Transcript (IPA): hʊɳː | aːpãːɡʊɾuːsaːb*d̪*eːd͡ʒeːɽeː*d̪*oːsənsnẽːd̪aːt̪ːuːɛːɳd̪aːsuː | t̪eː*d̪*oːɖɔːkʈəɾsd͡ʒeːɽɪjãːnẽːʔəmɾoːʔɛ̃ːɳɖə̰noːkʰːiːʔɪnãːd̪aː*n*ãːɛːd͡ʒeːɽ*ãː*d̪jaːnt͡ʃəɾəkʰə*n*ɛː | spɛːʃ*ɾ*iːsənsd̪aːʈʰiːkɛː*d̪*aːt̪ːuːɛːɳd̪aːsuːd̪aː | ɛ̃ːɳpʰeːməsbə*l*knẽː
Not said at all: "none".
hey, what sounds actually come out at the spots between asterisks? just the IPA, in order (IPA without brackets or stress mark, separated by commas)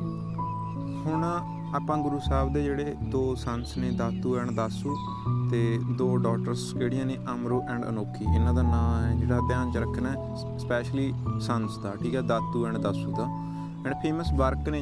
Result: d̪, d̪, d̪, n, aː, n, l, d̪, ɾ